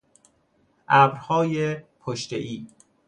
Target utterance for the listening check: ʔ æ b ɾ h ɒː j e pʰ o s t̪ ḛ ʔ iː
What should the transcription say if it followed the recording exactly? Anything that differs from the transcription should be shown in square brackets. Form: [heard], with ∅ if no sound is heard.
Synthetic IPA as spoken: ʔ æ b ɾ h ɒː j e pʰ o [ʃ] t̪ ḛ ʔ iː